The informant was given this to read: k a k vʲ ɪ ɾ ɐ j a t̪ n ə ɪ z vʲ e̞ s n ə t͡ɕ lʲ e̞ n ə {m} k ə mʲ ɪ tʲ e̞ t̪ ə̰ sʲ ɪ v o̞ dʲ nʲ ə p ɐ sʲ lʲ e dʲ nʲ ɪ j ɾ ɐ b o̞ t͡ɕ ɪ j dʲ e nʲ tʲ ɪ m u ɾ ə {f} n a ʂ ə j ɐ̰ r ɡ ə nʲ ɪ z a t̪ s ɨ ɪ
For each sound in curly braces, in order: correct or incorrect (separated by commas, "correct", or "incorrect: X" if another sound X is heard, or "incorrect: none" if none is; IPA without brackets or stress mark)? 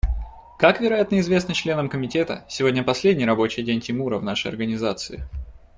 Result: correct, incorrect: v